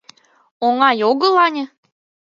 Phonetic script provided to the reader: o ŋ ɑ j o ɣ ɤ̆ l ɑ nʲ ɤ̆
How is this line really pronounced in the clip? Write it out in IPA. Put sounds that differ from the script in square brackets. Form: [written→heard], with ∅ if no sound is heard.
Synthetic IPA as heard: o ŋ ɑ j o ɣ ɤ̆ l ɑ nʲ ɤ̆

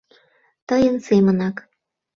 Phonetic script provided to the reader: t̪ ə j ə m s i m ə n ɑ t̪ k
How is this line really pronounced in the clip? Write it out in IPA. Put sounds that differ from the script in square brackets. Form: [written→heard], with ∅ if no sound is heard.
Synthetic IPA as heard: t̪ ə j ə [m→n] s [i→e] m ə n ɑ [t̪→∅] k

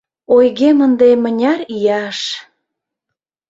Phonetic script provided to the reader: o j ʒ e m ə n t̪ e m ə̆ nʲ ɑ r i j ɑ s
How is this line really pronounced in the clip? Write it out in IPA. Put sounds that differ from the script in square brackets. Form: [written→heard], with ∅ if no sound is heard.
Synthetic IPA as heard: o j [ʒ→ɣ] e m ə n [t̪→d̪] e m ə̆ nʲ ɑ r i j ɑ [s→ʃ]

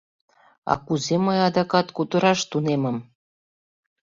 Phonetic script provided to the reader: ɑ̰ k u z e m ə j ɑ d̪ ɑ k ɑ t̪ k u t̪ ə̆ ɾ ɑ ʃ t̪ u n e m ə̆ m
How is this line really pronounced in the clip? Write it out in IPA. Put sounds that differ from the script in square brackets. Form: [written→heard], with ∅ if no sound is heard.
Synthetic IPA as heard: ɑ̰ k u z e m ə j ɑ d̪ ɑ k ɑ t̪ k u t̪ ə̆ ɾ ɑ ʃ t̪ u n e m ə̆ m

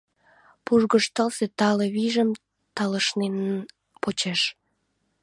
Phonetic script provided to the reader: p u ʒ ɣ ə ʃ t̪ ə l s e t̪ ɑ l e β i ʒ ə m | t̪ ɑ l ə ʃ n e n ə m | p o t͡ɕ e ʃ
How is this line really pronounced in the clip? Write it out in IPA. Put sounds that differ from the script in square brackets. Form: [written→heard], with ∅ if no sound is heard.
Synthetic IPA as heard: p u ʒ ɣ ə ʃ t̪ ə l s e t̪ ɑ l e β i ʒ ə m | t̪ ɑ l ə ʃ n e n ə [m→n] | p o t͡ɕ e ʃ

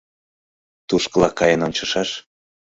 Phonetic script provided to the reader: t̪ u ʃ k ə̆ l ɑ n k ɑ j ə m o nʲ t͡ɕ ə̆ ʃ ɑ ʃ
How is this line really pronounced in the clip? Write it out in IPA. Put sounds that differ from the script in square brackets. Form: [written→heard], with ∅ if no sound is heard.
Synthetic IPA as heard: t̪ u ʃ k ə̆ l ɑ [n→∅] k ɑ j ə [m→n] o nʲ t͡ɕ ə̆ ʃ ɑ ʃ

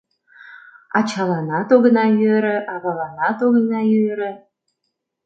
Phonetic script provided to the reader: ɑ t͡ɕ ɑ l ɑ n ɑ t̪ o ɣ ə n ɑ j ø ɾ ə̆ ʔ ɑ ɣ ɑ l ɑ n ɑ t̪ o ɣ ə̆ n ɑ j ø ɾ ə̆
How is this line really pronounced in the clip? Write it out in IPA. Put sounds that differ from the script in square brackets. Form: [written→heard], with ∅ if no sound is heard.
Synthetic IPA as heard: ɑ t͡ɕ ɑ l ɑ n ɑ t̪ o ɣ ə n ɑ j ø ɾ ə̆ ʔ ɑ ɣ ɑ l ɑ n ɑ t̪ o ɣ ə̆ n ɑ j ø ɾ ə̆

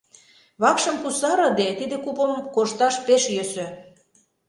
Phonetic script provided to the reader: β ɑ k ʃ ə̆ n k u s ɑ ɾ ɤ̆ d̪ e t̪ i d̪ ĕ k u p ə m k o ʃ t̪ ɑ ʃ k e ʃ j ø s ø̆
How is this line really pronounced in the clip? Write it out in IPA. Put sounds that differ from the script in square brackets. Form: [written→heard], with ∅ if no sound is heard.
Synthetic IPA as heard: β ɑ k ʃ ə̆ [n→m] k u s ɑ ɾ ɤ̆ d̪ e t̪ i d̪ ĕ k u p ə m k o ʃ t̪ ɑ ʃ [k→p] e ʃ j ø s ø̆

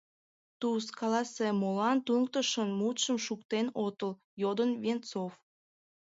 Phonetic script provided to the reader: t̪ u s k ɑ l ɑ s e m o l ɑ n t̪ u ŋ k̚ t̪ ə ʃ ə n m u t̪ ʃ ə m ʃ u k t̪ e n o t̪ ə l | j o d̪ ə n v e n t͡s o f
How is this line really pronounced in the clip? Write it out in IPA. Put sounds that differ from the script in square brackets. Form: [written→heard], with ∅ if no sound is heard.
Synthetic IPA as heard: t̪ u s k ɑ l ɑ s e m o l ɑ n t̪ u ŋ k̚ t̪ ə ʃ ə n m u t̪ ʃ ə m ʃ u k t̪ e n o t̪ ə l | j o d̪ ə n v e n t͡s o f

